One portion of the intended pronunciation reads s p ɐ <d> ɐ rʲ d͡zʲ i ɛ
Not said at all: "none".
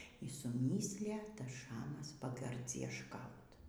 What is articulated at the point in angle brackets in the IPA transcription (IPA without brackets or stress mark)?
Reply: ɡ